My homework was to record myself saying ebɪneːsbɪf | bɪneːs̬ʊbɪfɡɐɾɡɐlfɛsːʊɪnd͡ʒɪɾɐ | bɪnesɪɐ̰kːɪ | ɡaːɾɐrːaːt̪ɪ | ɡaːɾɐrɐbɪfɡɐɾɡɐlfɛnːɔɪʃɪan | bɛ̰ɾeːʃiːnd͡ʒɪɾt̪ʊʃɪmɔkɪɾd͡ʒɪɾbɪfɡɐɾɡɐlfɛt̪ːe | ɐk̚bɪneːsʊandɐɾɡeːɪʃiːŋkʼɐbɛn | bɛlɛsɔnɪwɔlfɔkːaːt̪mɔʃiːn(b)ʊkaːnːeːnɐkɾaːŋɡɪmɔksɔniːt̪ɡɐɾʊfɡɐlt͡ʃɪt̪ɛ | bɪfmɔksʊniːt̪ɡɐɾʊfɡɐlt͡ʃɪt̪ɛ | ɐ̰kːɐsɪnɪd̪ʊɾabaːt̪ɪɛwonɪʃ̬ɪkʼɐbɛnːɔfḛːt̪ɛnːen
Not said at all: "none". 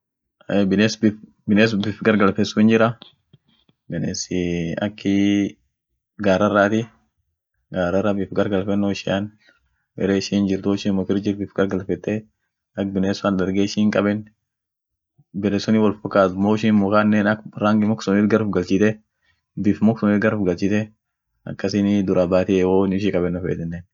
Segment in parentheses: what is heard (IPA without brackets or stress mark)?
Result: m